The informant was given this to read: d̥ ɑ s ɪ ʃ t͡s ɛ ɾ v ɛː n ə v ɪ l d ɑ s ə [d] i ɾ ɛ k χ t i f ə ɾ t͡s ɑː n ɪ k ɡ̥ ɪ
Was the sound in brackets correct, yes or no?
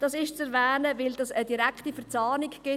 yes